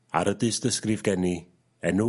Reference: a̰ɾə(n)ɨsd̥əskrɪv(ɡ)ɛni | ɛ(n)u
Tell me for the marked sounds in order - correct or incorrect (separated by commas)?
incorrect, correct, correct